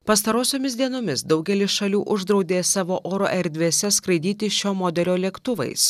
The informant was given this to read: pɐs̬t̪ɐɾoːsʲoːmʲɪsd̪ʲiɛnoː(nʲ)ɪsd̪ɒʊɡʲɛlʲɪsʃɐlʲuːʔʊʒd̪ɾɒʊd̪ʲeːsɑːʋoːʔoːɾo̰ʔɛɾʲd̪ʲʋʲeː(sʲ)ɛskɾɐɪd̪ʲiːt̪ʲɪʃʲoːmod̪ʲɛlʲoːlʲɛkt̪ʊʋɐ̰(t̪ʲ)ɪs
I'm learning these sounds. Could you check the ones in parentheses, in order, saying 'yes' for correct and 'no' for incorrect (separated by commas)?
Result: no, yes, no